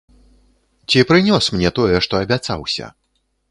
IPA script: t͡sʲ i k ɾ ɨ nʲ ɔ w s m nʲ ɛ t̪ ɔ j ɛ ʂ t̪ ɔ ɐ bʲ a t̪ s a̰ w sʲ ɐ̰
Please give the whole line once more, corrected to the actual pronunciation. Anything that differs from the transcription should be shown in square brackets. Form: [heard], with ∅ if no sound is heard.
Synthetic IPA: t͡sʲ i [p] ɾ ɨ nʲ ɔ [∅] s m nʲ ɛ t̪ ɔ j ɛ ʂ t̪ ɔ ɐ bʲ a t̪ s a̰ w sʲ ɐ̰